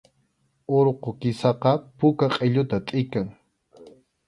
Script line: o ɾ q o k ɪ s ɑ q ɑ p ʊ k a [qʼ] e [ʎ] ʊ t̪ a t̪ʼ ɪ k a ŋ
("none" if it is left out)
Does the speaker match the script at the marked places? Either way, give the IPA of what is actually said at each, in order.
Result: qʼ, ʎ

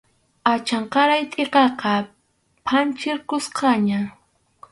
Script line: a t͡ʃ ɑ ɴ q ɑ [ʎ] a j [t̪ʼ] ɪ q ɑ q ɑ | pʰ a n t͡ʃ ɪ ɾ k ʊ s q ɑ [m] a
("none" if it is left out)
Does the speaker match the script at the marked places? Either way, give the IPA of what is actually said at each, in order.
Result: ɾ, t̪ʼ, ɲ

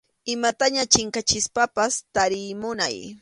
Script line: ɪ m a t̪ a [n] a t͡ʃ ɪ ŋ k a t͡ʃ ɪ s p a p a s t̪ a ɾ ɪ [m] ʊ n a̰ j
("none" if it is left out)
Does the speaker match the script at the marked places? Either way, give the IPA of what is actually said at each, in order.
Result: ɲ, m

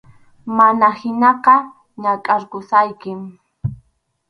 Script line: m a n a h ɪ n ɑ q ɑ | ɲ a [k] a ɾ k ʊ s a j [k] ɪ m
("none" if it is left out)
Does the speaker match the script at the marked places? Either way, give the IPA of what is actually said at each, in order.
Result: kʼ, k

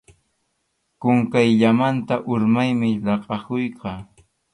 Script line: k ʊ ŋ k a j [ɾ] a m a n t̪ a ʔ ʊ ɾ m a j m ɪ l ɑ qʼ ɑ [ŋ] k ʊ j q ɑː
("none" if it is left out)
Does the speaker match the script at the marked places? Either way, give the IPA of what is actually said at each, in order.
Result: ʎ, none

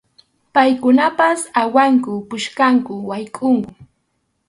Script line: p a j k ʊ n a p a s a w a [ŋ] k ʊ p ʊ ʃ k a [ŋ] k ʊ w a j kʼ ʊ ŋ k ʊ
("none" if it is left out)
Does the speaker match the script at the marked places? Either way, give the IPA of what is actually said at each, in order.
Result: ŋ, ŋ

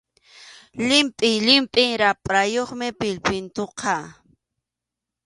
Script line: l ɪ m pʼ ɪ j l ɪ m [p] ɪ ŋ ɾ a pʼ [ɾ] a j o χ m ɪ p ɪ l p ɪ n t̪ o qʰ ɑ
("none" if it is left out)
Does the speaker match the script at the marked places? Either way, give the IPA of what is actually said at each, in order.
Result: pʼ, ɾ

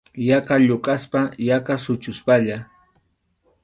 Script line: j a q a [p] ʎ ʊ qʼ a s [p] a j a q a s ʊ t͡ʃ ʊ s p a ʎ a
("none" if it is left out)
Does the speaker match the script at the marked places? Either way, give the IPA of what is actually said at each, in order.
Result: none, p

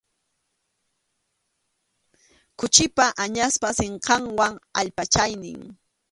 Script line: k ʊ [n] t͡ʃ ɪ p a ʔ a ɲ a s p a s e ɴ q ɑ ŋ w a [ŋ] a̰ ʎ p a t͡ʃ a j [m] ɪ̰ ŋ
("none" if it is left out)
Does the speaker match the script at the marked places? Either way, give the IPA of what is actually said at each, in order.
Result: none, ŋ, n

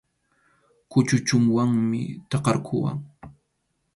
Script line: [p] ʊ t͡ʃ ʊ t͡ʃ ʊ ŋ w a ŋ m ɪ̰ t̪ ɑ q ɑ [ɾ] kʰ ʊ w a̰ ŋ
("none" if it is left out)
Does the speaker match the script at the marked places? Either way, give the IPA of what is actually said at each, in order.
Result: k, ɾ

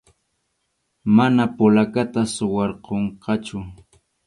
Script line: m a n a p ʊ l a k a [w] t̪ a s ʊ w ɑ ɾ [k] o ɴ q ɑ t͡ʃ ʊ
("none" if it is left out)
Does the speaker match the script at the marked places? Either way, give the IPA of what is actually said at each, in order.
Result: none, q

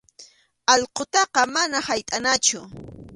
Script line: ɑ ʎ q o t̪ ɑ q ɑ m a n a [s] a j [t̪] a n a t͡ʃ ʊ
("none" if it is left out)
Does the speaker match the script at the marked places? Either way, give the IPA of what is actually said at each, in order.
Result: h, t̪ʼ

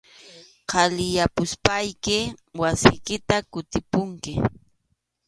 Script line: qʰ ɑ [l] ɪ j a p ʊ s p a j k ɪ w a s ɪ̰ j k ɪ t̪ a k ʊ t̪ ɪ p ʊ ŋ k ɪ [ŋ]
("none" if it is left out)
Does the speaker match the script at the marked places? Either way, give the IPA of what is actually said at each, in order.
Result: l, none

